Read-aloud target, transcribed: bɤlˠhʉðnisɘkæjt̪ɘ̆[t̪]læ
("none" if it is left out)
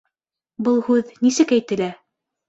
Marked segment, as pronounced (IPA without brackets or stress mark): none